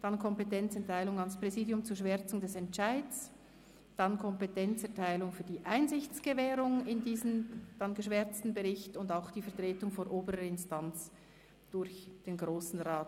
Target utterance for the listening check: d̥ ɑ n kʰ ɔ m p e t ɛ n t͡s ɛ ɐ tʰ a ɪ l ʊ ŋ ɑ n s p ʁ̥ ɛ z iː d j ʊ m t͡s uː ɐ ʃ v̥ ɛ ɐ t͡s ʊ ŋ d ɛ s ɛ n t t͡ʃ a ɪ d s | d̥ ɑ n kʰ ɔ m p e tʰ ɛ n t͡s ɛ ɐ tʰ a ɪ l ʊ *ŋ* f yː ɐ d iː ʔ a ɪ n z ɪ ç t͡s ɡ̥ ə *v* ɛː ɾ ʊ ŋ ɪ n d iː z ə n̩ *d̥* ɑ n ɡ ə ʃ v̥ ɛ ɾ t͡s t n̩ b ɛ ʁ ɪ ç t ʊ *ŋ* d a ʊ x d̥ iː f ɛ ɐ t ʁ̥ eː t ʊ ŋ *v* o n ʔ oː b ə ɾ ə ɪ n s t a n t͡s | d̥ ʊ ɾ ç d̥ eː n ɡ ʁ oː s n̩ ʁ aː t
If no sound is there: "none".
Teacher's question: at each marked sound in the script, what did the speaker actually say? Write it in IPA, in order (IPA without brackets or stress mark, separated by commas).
ŋ, v, d̥, n, f